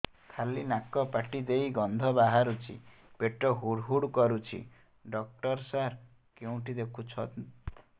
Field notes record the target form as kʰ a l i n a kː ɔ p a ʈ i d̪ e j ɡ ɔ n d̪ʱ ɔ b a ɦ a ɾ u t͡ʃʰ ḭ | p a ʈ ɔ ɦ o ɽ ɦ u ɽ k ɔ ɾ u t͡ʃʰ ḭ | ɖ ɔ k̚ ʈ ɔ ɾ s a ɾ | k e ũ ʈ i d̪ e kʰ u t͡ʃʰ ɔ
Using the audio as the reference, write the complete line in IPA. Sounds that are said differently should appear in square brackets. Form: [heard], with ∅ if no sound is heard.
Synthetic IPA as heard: kʰ a l i n a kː ɔ p a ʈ i d̪ e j ɡ ɔ n d̪ʱ ɔ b a ɦ a ɾ u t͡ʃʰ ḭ | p [e] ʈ ɔ ɦ [u] ɽ ɦ u ɽ k ɔ ɾ u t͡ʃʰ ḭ | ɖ ɔ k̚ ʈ ɔ ɾ s a ɾ | k e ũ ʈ i d̪ e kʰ u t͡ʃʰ ɔ